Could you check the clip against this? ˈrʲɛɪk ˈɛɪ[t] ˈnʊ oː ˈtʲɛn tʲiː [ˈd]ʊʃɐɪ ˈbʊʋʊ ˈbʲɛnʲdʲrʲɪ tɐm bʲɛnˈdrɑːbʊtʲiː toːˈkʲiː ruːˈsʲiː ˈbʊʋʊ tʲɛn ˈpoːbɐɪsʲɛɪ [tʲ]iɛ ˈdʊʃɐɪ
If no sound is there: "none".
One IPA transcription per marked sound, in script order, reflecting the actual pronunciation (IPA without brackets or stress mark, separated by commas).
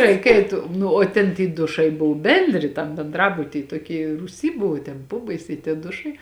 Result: t, d, tʲ